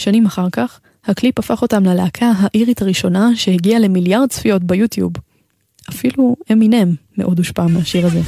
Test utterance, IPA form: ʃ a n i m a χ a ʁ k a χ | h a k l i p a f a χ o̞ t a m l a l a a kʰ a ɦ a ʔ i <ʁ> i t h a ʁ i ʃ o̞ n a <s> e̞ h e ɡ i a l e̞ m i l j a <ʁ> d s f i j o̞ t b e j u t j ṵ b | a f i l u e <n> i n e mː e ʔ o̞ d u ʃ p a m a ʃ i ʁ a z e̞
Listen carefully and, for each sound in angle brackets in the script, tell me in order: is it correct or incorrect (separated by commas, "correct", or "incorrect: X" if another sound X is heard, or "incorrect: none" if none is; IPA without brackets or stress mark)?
correct, incorrect: ʃ, correct, incorrect: m